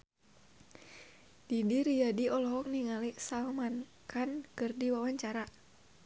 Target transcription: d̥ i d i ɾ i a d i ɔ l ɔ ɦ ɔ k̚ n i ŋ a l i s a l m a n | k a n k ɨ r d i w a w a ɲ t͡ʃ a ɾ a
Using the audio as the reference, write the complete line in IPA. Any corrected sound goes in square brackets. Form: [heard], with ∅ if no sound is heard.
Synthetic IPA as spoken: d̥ i d i ɾ i a d i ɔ l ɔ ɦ ɔ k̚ n i ŋ a l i s a l m a n | k a n k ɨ r d i w a w a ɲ t͡ʃ a ɾ a